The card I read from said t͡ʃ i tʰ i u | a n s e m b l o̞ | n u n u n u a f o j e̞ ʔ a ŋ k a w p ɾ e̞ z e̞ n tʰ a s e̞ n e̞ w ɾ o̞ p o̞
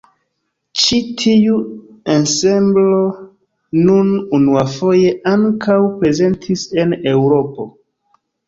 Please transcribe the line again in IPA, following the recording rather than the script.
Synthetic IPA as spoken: t͡ʃ i tʰ i u | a n s e m b l o̞ | n u n u n u a f o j e̞ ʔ a ŋ k a w p ɾ e̞ z e̞ n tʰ i s e̞ n e̞ w ɾ o̞ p o̞